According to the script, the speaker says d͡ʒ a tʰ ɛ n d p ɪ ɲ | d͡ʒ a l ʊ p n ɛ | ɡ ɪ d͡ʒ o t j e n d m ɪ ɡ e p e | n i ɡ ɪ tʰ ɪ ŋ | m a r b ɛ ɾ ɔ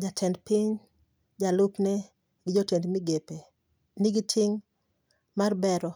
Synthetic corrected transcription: d͡ʒ a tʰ ɛ n d p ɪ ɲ | d͡ʒ a l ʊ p n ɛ | ɡ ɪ d͡ʒ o t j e n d m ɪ ɡ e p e | n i ɡ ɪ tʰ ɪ ŋ | m a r b ɛ ɾ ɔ